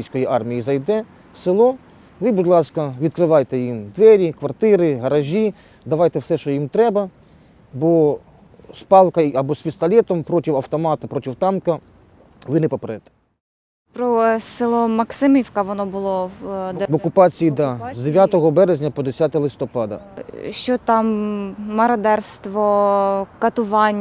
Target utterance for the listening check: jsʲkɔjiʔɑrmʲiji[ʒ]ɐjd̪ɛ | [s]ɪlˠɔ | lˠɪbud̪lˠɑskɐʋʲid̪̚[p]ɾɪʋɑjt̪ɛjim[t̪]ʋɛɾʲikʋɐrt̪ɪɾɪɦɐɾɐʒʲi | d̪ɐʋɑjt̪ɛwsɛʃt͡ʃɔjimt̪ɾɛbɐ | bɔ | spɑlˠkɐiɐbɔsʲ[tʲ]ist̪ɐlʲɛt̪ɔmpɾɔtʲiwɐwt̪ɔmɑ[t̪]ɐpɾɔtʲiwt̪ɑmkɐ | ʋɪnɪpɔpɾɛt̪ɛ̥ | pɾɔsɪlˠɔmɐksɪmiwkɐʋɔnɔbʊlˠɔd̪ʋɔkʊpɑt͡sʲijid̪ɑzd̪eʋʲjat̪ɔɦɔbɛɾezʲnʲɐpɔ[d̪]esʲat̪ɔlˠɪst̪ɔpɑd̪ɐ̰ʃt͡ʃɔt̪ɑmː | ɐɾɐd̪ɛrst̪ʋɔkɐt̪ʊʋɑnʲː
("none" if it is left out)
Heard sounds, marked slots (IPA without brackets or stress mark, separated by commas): z, s, k, d̪, pʲ, t̪, d̪